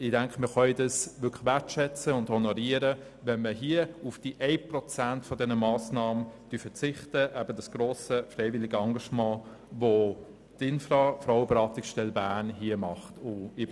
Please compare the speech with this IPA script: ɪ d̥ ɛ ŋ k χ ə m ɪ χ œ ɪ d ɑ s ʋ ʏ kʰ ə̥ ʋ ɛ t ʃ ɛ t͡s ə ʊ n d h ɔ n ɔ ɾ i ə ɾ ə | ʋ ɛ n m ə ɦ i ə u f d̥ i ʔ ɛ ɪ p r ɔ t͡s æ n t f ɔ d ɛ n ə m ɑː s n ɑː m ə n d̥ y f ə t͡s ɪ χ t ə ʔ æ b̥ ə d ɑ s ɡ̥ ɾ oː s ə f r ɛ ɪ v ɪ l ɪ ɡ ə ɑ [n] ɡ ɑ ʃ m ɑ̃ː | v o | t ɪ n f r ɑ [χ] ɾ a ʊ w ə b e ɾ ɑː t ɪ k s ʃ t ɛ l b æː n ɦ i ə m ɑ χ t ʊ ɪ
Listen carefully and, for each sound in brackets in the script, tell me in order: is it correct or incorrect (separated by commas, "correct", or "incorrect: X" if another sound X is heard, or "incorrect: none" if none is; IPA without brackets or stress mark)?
incorrect: ŋ, incorrect: f